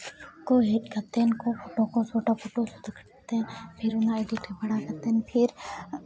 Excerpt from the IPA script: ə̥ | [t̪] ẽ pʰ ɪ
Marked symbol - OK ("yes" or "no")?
yes